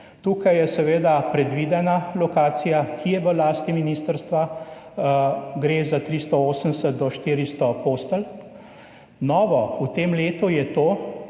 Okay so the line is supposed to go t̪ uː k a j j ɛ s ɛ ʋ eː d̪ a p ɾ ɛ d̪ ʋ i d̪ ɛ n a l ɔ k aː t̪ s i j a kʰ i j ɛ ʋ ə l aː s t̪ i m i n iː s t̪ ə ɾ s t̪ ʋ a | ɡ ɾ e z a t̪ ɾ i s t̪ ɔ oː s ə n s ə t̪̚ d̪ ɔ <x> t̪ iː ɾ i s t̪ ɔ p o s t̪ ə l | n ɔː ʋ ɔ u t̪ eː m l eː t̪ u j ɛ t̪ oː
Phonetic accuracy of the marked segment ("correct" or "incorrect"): incorrect